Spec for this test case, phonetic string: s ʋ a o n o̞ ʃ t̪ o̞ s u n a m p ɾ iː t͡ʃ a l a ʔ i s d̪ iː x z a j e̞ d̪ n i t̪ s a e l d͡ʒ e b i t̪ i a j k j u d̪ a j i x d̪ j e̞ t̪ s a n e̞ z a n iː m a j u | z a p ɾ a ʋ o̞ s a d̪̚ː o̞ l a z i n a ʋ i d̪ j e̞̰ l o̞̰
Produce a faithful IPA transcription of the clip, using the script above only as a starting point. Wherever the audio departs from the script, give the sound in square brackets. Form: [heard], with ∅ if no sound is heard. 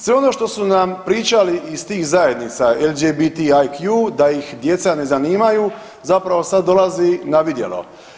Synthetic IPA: s ʋ [e] o n o̞ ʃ t̪ o̞ s u n a m p ɾ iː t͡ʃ a l [i] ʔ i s [t̪] iː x z a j e̞ d̪ n i t̪ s a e l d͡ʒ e b i t̪ i a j k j u d̪ a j i x d̪ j e̞ t̪ s a n e̞ z a n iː m a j u | z a p ɾ a ʋ o̞ s a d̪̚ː o̞ l a z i n a ʋ i d̪ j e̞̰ l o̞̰